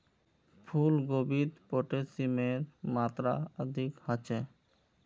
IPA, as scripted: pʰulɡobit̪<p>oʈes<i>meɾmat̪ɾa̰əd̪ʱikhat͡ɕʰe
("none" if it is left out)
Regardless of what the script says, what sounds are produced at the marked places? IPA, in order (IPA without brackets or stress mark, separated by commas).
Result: p, i